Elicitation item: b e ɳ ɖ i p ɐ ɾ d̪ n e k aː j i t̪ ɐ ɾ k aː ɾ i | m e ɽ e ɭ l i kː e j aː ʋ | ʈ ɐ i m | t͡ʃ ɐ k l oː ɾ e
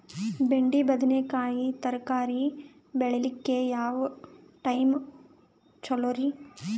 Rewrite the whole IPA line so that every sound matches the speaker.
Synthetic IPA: b e ɳ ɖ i b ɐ d̪ n e k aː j i t̪ ɐ ɾ k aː ɾ i | b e ɭ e l i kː e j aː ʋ | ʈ ɐ j m | t͡ʃ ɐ l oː ɾ i